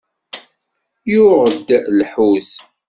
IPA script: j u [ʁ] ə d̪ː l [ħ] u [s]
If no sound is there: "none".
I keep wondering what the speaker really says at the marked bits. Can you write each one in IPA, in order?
ʁ, ħ, θ

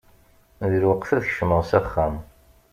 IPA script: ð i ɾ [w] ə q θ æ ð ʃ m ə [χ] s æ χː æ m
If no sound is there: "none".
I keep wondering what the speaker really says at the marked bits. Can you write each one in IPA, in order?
w, ʁ

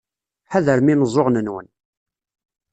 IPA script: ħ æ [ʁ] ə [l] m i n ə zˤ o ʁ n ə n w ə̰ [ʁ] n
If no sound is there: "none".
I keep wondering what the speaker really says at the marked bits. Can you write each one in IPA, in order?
ð, ɾ, none

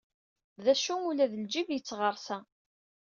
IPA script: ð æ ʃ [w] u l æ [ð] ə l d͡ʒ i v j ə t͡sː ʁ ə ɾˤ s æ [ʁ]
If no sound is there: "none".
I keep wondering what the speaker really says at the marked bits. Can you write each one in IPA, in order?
u, ð, none

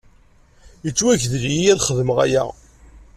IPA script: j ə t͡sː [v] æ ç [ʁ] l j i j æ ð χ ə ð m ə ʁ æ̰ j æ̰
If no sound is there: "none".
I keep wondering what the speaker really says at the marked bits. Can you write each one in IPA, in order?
w, ð

